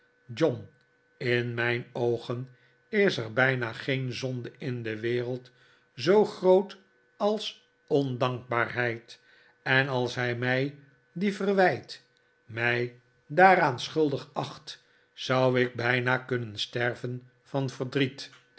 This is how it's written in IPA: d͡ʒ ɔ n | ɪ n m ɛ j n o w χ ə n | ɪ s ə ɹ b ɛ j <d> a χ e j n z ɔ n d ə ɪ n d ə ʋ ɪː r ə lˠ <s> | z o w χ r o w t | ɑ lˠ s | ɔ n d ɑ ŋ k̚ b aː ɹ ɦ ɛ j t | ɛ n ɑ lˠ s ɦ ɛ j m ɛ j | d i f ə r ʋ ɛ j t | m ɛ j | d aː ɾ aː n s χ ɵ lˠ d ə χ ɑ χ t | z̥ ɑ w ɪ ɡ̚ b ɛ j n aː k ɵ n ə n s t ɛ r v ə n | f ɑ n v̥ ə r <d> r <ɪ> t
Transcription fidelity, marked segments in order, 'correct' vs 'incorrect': incorrect, incorrect, correct, incorrect

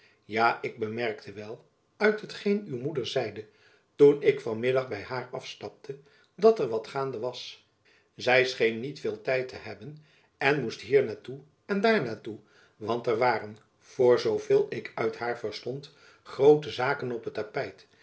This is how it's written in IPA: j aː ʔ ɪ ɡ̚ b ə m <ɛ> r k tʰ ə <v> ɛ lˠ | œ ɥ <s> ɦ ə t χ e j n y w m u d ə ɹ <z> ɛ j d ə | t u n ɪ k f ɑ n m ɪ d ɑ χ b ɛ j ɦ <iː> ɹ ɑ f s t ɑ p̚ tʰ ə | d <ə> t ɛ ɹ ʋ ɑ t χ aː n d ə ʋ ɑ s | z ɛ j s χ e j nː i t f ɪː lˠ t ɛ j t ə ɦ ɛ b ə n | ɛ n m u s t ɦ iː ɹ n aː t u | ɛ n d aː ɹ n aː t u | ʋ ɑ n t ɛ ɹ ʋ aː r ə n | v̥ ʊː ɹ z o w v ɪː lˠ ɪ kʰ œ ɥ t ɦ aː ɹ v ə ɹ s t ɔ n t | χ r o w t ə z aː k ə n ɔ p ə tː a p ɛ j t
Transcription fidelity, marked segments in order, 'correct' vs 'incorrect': correct, incorrect, incorrect, correct, incorrect, incorrect

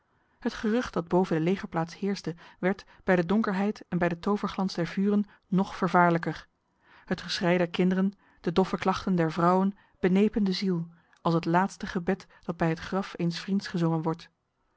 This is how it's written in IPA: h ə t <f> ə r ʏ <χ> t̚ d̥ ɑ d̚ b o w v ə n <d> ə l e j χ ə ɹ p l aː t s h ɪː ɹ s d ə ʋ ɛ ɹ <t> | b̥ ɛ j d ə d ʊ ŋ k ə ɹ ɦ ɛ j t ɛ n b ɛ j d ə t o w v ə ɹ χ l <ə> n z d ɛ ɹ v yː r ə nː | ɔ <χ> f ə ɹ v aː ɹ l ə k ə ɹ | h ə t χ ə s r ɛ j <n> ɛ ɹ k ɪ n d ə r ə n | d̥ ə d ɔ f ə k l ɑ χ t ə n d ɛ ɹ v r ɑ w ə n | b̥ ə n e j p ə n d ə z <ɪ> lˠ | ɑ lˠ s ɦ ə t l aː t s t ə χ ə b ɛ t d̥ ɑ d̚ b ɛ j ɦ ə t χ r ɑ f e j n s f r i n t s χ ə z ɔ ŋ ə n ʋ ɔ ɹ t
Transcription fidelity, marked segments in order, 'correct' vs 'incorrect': incorrect, correct, correct, correct, incorrect, correct, incorrect, incorrect

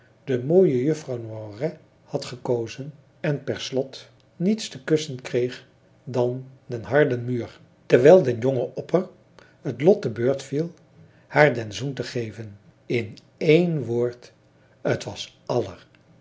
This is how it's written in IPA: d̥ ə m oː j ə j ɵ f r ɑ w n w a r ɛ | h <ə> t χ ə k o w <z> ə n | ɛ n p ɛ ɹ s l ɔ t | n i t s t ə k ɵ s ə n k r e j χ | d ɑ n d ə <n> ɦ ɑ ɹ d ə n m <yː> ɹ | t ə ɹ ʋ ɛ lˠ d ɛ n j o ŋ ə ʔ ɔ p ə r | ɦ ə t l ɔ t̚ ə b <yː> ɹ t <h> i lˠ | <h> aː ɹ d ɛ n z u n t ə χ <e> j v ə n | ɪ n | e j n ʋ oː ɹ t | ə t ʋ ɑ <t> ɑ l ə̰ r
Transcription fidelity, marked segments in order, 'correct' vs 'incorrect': incorrect, correct, correct, correct, incorrect, incorrect, correct, correct, incorrect

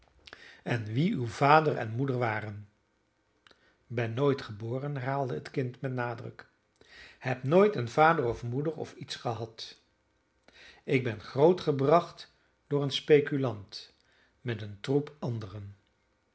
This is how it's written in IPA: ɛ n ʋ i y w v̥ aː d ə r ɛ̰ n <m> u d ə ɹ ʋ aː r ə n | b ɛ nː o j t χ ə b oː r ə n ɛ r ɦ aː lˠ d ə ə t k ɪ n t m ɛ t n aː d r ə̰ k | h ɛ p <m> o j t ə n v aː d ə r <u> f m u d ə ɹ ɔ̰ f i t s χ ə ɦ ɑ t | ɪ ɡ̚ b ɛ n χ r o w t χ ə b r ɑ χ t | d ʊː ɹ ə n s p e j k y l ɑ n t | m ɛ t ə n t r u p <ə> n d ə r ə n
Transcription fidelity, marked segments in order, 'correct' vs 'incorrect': correct, incorrect, incorrect, incorrect

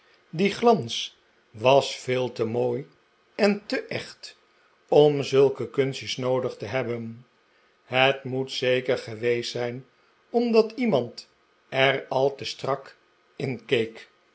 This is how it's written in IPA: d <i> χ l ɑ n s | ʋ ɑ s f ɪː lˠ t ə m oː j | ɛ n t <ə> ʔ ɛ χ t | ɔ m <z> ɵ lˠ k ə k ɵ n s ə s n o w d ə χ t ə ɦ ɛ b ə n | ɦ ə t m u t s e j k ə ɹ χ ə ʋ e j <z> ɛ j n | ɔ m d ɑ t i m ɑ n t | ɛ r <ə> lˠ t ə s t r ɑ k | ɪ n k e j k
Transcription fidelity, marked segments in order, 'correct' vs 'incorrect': correct, correct, correct, incorrect, incorrect

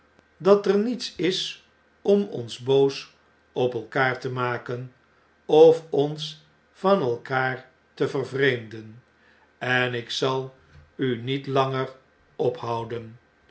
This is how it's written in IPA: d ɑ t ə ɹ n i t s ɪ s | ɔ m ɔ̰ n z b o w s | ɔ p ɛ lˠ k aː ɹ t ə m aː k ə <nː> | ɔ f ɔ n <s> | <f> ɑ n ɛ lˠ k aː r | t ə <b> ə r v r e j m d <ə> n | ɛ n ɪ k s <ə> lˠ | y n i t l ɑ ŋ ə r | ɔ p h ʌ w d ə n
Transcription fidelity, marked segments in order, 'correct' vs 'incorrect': incorrect, correct, correct, incorrect, correct, incorrect

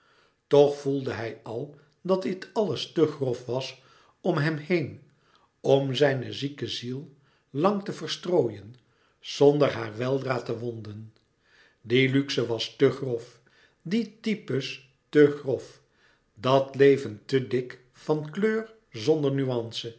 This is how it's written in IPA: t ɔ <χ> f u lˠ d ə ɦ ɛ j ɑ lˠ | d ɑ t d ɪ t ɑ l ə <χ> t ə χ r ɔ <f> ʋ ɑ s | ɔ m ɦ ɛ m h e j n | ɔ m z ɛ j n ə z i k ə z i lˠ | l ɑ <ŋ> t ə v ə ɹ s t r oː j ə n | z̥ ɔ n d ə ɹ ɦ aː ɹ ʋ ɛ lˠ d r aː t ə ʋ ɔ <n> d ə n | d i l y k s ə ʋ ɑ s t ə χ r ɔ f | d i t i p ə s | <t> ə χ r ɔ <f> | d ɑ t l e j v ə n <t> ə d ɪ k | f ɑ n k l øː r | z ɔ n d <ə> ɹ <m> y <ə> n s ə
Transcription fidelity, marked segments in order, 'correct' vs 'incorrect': correct, incorrect, correct, correct, correct, correct, correct, correct, correct, incorrect, incorrect

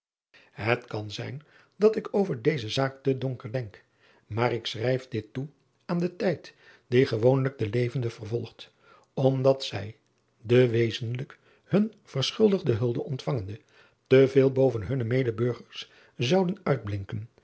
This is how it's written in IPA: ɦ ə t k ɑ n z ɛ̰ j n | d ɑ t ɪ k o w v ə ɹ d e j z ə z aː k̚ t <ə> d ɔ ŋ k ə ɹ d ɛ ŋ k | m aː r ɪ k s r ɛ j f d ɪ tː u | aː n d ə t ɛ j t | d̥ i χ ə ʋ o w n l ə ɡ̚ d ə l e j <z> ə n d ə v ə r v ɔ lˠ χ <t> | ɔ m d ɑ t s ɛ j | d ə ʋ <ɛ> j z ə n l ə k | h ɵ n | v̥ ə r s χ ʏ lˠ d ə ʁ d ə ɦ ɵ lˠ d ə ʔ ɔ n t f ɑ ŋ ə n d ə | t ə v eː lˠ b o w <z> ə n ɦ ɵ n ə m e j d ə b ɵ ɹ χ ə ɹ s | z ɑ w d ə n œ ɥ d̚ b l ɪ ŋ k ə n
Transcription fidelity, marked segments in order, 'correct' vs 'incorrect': correct, incorrect, correct, incorrect, incorrect

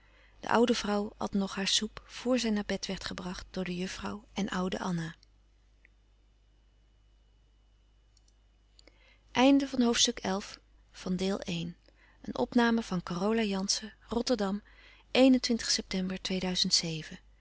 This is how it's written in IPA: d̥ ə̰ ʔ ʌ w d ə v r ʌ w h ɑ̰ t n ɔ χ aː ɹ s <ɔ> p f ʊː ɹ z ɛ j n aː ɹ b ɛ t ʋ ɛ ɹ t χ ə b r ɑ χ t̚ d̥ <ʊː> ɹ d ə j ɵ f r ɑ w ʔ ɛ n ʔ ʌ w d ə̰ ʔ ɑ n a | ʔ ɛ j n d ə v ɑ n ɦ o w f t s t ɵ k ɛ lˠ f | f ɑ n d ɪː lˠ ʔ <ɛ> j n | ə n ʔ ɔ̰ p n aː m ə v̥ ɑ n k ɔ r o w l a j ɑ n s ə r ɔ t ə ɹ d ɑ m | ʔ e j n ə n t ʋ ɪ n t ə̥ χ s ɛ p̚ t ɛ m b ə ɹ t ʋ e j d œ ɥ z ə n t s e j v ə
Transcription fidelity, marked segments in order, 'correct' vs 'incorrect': incorrect, correct, incorrect

